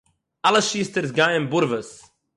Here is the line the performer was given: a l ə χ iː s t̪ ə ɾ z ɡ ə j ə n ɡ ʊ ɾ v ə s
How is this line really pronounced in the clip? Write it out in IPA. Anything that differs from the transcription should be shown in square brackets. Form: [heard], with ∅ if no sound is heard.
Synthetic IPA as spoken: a l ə [ʃ] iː s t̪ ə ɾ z ɡ [a] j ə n [b] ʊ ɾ v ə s